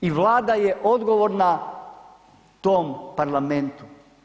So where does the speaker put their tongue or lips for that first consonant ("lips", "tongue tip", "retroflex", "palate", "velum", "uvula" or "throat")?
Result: lips